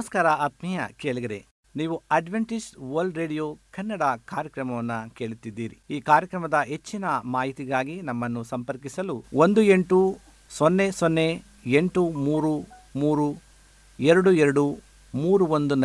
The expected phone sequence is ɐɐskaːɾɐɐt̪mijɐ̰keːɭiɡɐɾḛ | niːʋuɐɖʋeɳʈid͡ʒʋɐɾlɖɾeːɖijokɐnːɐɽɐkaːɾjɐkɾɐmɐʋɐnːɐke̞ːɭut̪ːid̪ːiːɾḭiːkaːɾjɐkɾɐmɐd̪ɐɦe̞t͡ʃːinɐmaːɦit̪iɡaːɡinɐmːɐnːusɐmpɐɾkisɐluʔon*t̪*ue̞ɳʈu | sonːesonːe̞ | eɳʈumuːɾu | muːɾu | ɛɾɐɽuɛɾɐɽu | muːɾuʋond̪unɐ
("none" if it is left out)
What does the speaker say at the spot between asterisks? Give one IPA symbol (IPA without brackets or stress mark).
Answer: d̪